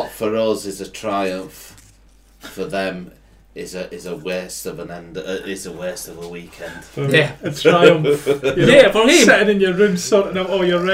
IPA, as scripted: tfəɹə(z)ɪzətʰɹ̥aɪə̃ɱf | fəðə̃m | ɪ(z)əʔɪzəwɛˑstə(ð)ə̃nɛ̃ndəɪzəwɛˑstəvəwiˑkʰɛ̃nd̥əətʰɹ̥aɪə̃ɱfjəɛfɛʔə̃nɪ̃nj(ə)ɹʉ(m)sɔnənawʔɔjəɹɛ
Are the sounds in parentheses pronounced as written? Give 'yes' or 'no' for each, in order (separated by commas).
yes, yes, no, yes, yes